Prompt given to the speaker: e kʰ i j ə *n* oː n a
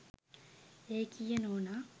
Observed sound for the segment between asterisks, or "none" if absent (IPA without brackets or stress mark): n